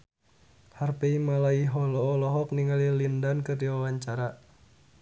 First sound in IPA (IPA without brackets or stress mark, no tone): h